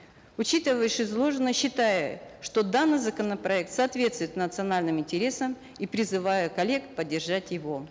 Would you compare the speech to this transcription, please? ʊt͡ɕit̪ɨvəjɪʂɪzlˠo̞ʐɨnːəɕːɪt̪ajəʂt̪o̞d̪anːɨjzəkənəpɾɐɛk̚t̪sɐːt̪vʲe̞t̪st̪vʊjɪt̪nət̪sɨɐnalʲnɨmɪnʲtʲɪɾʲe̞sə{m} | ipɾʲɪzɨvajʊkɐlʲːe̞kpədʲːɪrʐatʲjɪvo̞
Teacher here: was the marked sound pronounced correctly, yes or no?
yes